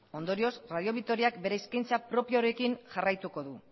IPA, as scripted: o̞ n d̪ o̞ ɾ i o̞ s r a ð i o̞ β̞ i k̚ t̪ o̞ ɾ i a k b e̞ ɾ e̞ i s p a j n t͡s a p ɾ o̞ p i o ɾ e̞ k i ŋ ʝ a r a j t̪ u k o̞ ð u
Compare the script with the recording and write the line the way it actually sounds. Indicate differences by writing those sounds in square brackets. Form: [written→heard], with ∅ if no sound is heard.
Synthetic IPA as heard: o̞ n d̪ o̞ ɾ i o̞ s r a ð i o̞ β̞ i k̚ t̪ o̞ ɾ i a k b e̞ ɾ e̞ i s [p→k] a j n t͡s a p ɾ o̞ p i o ɾ e̞ k i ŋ ʝ a r a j t̪ u k o̞ ð u